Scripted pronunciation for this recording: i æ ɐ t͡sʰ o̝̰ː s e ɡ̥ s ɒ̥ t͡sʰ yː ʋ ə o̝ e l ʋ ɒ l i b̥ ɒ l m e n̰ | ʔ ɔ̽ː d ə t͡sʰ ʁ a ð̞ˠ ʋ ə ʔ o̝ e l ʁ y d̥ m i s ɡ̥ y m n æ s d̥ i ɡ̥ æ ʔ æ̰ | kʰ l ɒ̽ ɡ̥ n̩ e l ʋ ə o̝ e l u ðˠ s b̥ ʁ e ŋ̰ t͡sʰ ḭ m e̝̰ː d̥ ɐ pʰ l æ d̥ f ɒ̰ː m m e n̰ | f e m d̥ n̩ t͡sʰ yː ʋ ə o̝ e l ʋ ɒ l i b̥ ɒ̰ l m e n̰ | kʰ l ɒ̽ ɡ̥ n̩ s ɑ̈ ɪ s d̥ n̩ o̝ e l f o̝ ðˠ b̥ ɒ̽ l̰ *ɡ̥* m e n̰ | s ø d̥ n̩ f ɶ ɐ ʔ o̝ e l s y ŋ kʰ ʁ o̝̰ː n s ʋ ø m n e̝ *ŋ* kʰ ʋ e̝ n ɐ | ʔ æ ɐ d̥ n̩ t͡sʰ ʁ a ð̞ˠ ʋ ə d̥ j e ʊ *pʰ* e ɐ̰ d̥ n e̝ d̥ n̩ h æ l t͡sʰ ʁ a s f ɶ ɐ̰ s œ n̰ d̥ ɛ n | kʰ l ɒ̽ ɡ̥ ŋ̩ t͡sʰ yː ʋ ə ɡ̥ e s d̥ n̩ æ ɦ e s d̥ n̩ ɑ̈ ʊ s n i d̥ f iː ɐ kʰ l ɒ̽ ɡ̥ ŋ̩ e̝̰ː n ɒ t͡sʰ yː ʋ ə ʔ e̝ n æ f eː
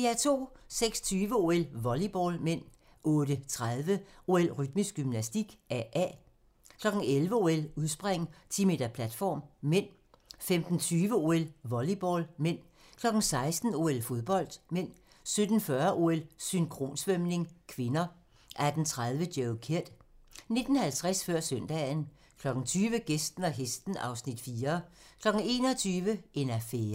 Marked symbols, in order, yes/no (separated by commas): no, yes, no